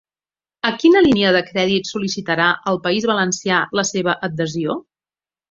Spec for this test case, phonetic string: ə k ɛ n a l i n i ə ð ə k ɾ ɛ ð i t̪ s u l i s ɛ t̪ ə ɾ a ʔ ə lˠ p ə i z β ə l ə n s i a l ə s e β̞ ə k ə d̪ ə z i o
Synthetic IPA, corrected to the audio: ə k i n ə l i n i ə ð ə k ɾ ɛ ð i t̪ s u l i s i t̪ ə ɾ a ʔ ə lˠ p ə i z β ə l ə n s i a l ə s e β̞ ə ʔ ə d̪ ə z i o

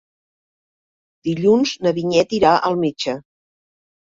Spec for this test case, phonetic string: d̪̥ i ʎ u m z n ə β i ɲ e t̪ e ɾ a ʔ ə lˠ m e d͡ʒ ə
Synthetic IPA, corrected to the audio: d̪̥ i ʎ u n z n ə β i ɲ ɛ t̪ i ɾ a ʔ ə lˠ m e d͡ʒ ə

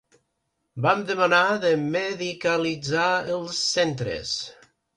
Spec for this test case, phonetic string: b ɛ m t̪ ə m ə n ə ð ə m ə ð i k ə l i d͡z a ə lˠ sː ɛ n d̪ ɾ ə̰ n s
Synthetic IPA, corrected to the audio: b a m d̪ ə m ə n a ð ə m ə ð i k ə l i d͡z a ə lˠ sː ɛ n t̪ ɾ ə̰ s

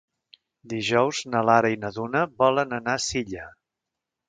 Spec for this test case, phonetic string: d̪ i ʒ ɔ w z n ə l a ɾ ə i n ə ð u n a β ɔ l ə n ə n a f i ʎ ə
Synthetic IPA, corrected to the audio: d̪ i ʒ ɔ w z n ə l a ɾ ə i n ə ð u n ə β ɔ l ə n ə n a s i ʎ ə

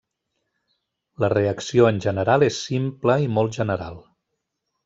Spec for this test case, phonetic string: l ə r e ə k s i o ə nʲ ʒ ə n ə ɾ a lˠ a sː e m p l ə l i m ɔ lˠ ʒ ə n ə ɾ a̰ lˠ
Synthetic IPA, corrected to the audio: l ə r e ə k s i o ə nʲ ʒ ə n ə ɾ a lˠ e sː i m p l ə i m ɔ lˠ ʒ ə n ə ɾ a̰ lˠ

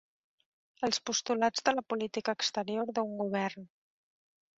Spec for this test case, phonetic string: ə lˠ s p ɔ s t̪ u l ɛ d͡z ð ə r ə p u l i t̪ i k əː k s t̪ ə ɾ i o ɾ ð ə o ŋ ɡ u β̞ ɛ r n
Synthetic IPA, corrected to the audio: ə lˠ s p u s t̪ u l a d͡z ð ə l ə p u l i t̪ i k əː k s t̪ ə ɾ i o ɾ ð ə u ŋ ɡ u β̞ ɛ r n

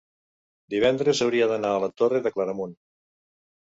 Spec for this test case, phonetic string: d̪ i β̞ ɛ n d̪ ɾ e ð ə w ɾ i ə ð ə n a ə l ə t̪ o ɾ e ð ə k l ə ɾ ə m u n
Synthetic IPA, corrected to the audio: d̪ i β̞ ɛ n d̪ ɾ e z ə w ɾ i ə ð ə n a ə l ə t̪ o r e ð ə k l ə ɾ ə m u n

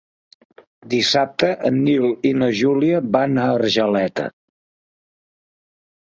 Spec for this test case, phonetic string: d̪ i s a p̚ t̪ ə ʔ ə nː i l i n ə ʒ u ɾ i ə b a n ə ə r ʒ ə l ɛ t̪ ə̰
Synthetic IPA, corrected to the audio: d̪ i s a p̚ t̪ ə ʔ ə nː i l i n ə ʒ u l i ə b a n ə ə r ʒ ə l ɛ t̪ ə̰

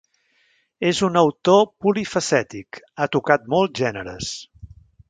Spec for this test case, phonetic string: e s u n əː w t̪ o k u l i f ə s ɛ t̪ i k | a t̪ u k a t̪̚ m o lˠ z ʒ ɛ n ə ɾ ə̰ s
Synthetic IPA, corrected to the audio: e z u n ə w t̪ o p u l i f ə s ɛ t̪ i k | a t̪ u k a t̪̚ m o lˠ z ʒ ɛ n ə ɾ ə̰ s

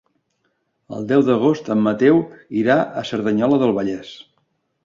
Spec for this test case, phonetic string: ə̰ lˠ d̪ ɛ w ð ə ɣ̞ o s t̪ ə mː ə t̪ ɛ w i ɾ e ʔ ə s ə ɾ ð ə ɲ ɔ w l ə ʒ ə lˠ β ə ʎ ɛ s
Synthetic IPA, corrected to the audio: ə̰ lˠ d̪ ɛ w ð ə ɣ̞ o s t̪ ə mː ə t̪ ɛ w i ɾ a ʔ ə s ə ɾ ð ə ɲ ɔ l ə ð ə lˠ β ə ʎ ɛ s

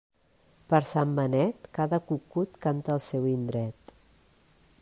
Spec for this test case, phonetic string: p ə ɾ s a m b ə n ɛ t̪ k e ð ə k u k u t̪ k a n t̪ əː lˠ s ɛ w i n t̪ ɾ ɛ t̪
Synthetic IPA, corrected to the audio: p ə ɾ s a m b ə n ɛ t̪ k a ð ə k u k u t̪ k a n t̪ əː lˠ s ɛ w i n d̪ ɾ ɛ t̪

